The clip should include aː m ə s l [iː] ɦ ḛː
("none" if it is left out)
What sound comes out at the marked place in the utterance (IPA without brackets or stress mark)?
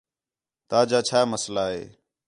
aː